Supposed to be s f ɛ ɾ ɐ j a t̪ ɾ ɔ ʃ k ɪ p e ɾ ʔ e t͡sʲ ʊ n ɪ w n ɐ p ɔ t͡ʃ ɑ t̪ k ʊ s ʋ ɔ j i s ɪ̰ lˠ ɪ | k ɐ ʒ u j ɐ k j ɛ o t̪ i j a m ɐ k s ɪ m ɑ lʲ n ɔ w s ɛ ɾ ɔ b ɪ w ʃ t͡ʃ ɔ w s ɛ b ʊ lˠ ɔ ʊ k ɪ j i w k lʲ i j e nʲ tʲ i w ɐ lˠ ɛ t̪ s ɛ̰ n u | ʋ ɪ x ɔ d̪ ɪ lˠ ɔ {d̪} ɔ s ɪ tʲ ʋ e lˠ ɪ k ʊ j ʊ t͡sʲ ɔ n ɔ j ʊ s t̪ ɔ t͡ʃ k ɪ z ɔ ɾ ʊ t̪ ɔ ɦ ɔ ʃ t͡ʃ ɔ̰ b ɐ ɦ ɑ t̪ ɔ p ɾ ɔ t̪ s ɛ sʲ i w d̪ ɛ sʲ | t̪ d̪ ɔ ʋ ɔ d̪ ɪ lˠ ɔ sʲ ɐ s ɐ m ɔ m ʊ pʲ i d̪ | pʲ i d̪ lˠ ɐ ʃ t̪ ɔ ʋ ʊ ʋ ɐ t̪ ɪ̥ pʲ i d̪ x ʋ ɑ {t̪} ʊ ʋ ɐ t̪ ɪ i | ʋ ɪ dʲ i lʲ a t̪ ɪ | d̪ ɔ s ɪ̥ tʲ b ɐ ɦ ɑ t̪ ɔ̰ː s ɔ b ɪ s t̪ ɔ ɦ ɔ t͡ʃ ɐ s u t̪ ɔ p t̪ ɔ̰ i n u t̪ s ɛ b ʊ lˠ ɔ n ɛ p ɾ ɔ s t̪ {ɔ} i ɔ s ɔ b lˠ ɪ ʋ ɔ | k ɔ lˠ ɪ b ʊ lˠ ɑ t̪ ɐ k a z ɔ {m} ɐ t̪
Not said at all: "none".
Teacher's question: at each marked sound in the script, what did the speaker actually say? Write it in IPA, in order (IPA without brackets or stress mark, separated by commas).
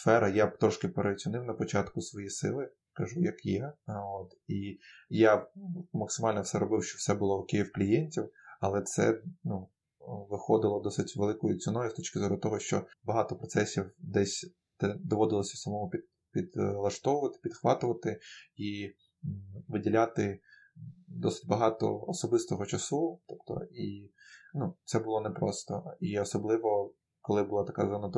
d̪, t̪, ɔ, n